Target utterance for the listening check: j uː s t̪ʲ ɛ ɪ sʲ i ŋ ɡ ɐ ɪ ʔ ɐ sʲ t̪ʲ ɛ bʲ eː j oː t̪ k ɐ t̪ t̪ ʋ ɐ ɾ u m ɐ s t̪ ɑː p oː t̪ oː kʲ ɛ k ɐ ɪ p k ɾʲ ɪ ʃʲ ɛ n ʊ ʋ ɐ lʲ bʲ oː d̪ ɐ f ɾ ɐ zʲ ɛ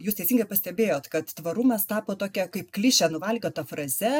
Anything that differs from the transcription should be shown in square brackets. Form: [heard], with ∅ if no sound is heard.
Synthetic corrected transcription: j uː s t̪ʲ ɛ ɪ sʲ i ŋ ɡ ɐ ɪ [p] ɐ sʲ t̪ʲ ɛ bʲ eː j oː t̪ k ɐ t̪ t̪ ʋ ɐ ɾ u m ɐ s t̪ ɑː p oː t̪ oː kʲ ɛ k ɐ ɪ p k [lʲ] ɪ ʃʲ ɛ n ʊ ʋ ɐ lʲ [ɡʲ] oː [t̪] ɐ f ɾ ɐ zʲ ɛ